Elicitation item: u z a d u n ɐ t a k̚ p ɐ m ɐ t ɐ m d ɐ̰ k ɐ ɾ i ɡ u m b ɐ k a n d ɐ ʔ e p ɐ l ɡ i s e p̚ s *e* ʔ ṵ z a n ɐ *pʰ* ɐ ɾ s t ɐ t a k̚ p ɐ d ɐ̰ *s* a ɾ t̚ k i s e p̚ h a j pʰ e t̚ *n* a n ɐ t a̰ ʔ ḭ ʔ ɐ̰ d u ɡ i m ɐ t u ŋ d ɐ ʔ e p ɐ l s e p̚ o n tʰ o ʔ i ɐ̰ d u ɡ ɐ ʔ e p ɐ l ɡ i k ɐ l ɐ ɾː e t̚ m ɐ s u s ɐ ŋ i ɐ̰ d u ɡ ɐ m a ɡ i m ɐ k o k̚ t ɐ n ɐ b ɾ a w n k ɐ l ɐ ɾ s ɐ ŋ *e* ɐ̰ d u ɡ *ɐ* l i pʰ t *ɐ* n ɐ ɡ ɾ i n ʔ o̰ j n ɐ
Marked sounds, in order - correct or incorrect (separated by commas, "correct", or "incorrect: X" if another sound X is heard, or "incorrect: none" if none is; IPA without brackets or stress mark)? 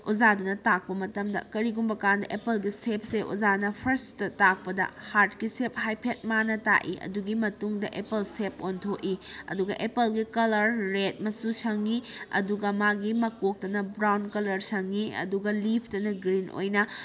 correct, correct, incorrect: h, incorrect: m, incorrect: i, correct, correct